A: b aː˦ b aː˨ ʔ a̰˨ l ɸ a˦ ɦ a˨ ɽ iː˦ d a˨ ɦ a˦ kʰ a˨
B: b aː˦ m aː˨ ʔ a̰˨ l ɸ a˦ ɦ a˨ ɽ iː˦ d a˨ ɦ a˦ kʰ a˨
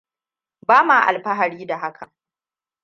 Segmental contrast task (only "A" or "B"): B